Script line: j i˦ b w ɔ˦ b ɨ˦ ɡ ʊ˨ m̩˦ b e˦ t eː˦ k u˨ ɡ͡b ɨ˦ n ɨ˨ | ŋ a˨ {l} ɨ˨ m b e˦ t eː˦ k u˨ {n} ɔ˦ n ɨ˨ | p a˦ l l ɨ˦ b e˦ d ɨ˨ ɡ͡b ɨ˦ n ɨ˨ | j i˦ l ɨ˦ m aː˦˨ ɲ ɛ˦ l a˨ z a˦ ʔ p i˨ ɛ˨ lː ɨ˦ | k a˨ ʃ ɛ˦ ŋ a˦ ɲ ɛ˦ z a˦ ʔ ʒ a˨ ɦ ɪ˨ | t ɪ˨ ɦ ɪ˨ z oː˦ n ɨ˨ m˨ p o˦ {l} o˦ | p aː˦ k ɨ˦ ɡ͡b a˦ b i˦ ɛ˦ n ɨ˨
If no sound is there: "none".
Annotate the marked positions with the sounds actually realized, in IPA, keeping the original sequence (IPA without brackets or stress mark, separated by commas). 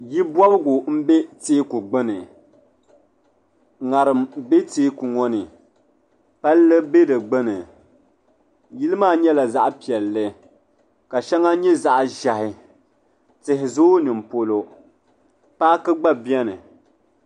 ɾ, ŋ, l